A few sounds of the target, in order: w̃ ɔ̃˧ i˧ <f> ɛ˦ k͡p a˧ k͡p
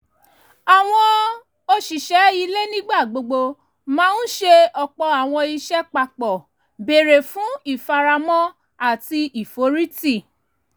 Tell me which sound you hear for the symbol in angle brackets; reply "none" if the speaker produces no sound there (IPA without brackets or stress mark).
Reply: ʃ